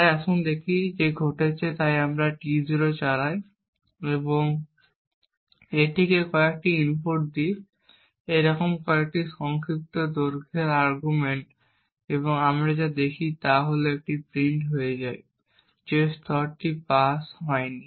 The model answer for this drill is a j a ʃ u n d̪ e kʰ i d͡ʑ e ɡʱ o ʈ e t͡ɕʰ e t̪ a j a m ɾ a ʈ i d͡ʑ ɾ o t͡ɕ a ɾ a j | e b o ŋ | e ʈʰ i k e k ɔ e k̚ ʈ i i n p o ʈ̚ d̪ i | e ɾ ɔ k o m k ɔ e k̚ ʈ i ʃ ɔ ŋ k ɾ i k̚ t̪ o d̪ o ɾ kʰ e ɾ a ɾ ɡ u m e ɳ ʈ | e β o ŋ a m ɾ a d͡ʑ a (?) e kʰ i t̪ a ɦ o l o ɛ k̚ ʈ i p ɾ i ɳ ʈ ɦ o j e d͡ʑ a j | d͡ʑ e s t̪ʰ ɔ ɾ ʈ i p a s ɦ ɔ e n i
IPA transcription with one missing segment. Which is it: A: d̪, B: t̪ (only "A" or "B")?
A